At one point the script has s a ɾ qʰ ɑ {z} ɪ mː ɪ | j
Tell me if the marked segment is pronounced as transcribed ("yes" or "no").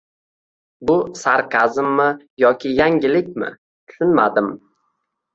yes